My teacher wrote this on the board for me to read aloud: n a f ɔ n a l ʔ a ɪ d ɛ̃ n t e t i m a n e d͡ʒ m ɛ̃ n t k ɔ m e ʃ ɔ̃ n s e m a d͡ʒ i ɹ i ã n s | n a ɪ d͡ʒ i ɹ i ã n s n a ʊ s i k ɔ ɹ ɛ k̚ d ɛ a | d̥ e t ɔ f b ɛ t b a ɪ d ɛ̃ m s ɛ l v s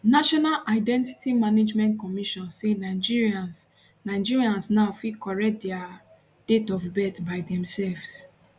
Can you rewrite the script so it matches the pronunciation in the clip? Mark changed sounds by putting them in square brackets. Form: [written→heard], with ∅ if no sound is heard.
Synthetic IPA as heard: n a [f→ʃ] ɔ n a l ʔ a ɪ d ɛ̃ n t [e→i] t i m a n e d͡ʒ m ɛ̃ n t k ɔ m [e→i] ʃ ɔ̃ n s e [m→n] a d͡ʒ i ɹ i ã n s | n a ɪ d͡ʒ i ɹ i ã n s n a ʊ [s→f] i k ɔ ɹ ɛ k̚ d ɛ a | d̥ e t ɔ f b ɛ t b a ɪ d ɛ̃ m s ɛ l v s